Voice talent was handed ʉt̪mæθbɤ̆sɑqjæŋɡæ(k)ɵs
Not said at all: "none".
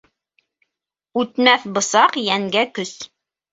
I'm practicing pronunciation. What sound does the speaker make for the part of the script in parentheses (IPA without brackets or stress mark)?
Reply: k